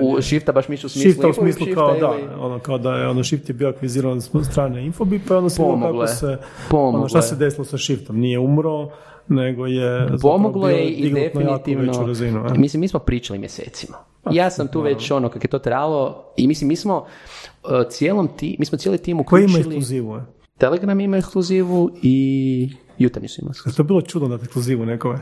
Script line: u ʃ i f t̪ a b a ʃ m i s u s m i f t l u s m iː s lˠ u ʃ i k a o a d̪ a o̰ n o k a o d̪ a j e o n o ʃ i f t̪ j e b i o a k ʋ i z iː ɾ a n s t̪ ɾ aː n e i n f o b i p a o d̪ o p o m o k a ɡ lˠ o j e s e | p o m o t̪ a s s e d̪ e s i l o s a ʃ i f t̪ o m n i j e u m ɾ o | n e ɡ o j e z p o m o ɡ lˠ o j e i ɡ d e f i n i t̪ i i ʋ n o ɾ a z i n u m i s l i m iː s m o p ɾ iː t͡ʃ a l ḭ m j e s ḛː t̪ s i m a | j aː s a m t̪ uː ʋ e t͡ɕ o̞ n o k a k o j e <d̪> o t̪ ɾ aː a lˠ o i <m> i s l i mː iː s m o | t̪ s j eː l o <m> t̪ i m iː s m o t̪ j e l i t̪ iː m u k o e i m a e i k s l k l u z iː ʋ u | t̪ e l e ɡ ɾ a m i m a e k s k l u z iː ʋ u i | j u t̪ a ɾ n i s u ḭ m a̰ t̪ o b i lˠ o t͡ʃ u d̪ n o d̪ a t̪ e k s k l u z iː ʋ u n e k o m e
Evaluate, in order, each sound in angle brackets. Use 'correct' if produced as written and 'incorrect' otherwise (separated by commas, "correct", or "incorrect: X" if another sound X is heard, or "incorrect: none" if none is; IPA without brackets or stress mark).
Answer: incorrect: t̪, correct, correct